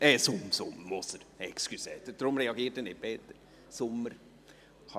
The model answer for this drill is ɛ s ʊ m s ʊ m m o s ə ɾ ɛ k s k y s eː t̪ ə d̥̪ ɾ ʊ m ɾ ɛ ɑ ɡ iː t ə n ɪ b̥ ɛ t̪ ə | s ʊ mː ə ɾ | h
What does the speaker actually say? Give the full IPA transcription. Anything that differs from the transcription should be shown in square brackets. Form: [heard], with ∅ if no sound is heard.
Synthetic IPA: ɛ s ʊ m s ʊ m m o s ə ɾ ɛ k s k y s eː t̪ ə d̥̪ ɾ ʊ m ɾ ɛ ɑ ɡ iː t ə n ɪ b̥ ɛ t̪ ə | s ʊ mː ə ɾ | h